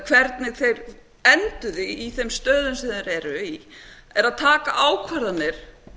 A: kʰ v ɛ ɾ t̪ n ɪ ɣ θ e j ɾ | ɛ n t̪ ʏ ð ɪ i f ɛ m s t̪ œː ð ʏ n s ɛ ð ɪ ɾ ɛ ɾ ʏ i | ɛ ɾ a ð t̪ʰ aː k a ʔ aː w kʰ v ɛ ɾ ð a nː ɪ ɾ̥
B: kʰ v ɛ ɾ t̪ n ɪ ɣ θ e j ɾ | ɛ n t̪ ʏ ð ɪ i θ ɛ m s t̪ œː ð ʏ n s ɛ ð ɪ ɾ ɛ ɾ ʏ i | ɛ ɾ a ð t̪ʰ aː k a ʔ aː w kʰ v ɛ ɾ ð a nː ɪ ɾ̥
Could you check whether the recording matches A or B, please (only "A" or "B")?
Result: B